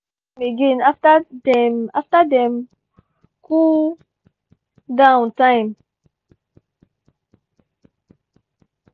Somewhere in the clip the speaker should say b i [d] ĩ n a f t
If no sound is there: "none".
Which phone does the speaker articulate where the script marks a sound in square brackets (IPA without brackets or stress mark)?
ɡ